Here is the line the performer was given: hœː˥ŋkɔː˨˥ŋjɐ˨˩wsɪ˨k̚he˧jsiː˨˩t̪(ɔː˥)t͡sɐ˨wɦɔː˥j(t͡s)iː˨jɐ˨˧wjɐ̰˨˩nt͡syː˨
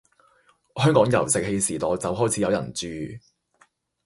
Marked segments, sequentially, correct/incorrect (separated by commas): incorrect, incorrect